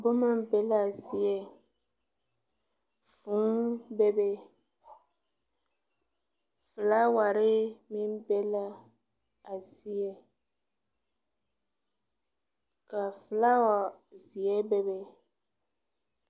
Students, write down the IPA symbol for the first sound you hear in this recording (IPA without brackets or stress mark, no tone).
b